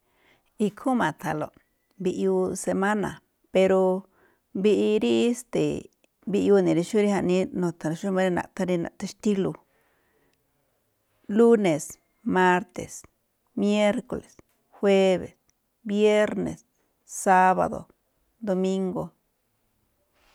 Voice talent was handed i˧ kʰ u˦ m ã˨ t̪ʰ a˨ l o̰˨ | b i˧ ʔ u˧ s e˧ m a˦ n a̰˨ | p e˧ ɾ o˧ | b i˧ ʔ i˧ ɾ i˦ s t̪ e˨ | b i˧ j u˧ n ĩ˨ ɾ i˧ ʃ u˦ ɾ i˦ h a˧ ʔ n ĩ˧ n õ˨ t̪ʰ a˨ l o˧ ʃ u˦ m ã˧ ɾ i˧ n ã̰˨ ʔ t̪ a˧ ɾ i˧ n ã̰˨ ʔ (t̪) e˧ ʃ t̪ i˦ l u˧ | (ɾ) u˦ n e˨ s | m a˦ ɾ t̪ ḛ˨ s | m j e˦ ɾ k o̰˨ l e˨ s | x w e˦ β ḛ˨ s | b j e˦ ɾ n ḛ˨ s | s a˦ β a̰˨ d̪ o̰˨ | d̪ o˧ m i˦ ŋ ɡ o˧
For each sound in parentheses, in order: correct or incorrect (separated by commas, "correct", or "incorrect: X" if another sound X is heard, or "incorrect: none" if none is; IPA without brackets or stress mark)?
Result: correct, incorrect: l